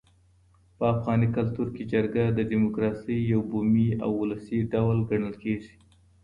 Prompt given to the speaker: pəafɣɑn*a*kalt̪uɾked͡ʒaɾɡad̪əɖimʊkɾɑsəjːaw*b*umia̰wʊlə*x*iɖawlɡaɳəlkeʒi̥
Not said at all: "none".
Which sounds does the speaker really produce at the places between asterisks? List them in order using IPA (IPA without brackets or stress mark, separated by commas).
i, b, s